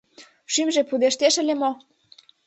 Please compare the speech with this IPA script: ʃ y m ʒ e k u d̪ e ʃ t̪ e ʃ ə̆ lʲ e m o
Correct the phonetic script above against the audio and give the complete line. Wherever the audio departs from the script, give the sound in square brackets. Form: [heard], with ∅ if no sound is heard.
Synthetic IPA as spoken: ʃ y m ʒ e [p] u d̪ e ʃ t̪ e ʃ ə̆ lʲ e m o